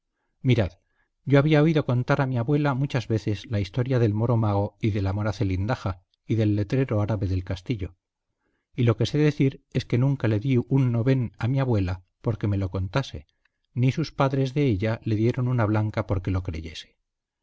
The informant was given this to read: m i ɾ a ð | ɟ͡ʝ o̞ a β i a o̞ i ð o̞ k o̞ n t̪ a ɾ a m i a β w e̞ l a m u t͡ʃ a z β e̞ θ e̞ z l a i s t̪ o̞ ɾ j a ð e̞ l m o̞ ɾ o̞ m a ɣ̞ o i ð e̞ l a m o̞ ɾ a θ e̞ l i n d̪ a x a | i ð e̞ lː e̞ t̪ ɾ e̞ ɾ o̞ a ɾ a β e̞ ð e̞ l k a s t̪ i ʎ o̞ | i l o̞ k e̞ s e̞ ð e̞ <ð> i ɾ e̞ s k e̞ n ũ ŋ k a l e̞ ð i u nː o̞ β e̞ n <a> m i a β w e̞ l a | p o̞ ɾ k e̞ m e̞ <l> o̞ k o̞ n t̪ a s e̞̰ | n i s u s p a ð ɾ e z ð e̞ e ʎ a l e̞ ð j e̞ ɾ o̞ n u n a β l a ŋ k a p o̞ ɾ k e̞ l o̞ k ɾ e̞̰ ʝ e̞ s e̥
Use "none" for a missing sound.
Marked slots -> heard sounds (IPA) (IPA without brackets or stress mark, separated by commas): θ, a, l